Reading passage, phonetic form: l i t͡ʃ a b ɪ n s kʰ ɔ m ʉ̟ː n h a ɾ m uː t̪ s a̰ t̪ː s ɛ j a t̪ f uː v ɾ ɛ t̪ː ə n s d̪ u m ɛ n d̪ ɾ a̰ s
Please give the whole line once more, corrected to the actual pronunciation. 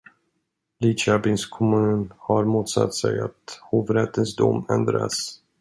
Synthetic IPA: l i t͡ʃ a b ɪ n s kʰ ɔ m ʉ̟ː n h a ɾ m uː t̪ s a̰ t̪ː s ɛ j a t̪ h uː v ɾ ɛ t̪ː ə n s d̪ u m ɛ n d̪ ɾ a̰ s

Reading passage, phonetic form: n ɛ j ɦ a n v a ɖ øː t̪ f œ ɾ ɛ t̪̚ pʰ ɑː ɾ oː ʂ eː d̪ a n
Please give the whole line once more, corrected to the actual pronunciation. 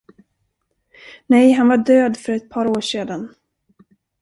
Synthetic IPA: n ɛ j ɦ a n v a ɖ øː d̪ f œ ɾ ɛ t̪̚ pʰ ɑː ɾ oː ʂ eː d̪ a n

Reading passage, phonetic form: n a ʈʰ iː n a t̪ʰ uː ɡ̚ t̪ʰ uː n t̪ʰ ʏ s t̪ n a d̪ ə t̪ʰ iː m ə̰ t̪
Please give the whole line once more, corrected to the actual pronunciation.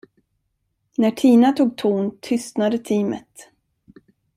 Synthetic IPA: n æ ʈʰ iː n a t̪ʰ uː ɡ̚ t̪ʰ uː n t̪ʰ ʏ s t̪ n a d̪ ə t̪ʰ iː m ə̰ t̪

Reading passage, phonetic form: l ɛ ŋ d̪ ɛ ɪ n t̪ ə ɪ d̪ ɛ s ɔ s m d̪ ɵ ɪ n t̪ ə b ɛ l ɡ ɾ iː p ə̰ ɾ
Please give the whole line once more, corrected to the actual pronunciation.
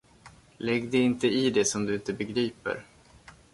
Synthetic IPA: l ɛ ɡ d̪ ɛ ɪ n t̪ ə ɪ d̪ ɛ s ɔ m d̪ ɵ ɪ n t̪ ə b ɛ ɡ ɾ iː p ə̰ ɾ

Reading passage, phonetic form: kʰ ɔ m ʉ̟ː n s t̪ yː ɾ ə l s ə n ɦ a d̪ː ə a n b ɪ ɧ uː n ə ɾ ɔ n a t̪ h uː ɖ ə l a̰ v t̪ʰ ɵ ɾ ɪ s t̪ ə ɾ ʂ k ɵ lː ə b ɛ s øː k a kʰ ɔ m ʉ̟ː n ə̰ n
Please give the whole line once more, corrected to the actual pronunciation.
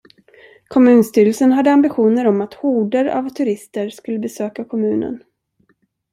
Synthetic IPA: kʰ ɔ m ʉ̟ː n s t̪ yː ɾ ə l s ə n ɦ a d̪ː ə a m b ɪ ɧ uː n ə ɾ ɔ m a t̪ h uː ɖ ə ɾ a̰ v t̪ʰ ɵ ɾ ɪ s t̪ ə ɾ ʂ k ɵ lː ə b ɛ s øː k a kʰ ɔ m ʉ̟ː n ə̰ n

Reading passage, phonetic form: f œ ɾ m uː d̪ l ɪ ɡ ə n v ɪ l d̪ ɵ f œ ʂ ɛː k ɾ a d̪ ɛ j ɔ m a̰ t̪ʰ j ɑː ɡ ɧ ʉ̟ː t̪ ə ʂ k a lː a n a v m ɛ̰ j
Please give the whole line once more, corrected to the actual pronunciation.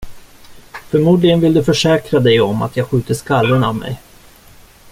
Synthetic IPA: f œ ɾ m uː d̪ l ɪ ɡ ə n v ɪ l d̪ ɵ f œ ʂ ɛː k ɾ a d̪ ɛ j ɔ m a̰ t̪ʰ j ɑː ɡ ɧ ʉ̟ː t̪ ə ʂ k a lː ə n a v m ɛ̰ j

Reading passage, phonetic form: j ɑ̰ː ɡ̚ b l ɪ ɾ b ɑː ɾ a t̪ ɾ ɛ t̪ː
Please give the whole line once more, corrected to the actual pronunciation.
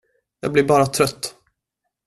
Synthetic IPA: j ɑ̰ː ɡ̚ b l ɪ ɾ b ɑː ɾ a t̪ʰ ɾ œ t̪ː

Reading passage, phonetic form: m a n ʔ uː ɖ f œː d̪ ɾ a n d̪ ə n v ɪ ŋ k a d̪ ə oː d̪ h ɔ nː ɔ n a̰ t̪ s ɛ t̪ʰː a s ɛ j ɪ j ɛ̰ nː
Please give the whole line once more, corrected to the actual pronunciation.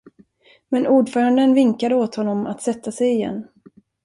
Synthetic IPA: m ɛ n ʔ uː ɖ f œː ɾ a n d̪ ə n v ɪ ŋ k a d̪ ə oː t̪ h ɔ nː ɔ m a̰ t̪ s ɛ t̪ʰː a s ɛ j ɪ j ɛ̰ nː

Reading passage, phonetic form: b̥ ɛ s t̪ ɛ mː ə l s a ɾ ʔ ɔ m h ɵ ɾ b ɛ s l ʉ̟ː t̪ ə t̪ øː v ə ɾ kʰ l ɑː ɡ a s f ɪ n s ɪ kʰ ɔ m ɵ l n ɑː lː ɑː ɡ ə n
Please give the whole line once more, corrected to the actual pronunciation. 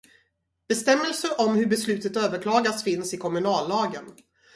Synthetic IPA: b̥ ɛ s t̪ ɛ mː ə l s ə ɾ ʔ ɔ m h ɵ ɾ b ɛ s l ʉ̟ː t̪ ə t̪ øː v ə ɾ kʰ l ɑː ɡ a s f ɪ n s ɪ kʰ ɔ m ɵ n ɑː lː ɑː ɡ ə n

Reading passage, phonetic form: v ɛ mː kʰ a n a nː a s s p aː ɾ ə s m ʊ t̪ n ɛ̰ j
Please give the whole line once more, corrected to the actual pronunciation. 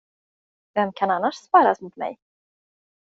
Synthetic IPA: v ɛ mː kʰ a n a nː a ʂ s p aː ɾ a s m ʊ t̪ m ɛ̰ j

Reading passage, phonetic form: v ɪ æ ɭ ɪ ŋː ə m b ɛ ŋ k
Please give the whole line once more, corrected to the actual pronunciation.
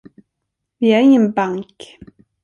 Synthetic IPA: v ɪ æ ɾ ɪ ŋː ə n b a ŋ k

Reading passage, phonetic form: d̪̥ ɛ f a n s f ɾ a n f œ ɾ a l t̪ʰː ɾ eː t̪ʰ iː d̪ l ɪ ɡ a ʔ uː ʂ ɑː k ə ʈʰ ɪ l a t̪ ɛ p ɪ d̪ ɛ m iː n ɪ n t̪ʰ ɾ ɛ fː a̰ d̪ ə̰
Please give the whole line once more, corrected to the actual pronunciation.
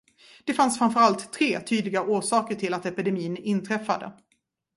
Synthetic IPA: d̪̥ ɛ f a n s f ɾ a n f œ ɾ a l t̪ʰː ɾ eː t̪ʰ yː d̪ l ɪ ɡ a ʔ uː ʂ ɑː k ə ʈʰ ɪ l a t̪ ɛ p ɪ d̪ ɛ m iː n ɪ n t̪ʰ ɾ ɛ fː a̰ d̪ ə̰

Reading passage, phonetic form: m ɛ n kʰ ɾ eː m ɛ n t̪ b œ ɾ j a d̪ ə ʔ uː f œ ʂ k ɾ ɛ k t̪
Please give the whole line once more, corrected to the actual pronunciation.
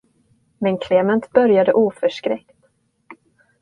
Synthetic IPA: m ɛ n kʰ l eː m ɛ n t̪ b œ ɾ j a d̪ ə ʔ uː f œ ʂ k ɾ ɛ k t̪

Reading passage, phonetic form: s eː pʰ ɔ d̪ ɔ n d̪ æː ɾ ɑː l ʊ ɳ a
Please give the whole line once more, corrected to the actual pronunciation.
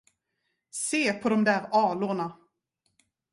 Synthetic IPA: s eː pʰ ɔ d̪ ɔ m d̪ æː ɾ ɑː l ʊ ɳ a

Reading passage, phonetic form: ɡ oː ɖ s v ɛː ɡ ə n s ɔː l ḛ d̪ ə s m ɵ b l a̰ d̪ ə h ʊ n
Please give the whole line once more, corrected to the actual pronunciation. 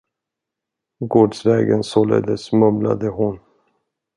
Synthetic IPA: ɡ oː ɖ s v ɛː ɡ ə n s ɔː l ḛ d̪ ə s m ɵ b l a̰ d̪ ə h ʊ n

